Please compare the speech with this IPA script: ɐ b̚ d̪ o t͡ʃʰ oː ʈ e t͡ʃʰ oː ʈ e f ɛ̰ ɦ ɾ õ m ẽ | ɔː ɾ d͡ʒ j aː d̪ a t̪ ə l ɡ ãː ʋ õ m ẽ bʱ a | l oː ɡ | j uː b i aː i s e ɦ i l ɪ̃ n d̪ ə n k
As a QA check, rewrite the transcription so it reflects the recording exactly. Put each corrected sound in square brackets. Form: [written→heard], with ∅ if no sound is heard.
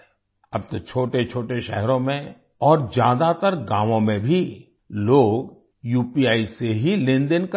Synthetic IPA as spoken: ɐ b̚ [d̪→t̪] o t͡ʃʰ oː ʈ e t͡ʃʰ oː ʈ e [f→ʃ] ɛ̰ ɦ ɾ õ m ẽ | ɔː ɾ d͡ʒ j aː d̪ a t̪ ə [l→ɾ] ɡ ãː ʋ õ m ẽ bʱ [a→i] | l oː ɡ | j uː [b→p] i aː i s e ɦ i l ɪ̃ n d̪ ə n k

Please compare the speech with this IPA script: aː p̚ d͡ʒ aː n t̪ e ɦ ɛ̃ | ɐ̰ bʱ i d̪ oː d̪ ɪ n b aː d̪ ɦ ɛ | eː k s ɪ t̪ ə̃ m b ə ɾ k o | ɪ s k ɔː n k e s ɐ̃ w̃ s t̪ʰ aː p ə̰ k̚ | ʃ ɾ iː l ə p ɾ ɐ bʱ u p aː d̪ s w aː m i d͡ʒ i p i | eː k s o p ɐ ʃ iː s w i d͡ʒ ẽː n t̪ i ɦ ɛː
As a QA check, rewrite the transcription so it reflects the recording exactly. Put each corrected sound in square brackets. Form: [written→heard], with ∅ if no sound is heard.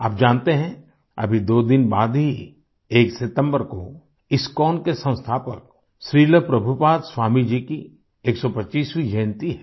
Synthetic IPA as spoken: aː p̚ d͡ʒ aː n t̪ e ɦ ɛ̃ | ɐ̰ bʱ i d̪ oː d̪ ɪ n b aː d̪ ɦ [ɛ→i] | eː k s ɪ t̪ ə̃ m b ə ɾ k o | ɪ s k ɔː n k e s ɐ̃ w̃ s t̪ʰ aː p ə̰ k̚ | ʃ ɾ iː l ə p ɾ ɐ bʱ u p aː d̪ s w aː m i d͡ʒ i [p→k] i | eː k s [o→ɔ] p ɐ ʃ iː s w i d͡ʒ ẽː n t̪ i ɦ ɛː

